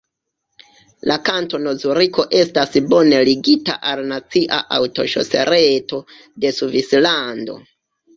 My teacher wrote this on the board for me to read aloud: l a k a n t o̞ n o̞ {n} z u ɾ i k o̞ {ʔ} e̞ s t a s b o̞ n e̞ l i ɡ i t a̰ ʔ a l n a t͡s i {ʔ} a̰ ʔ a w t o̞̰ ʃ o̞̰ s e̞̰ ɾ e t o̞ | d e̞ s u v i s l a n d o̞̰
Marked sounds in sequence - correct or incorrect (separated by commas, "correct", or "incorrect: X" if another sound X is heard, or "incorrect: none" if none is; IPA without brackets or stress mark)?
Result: incorrect: none, correct, correct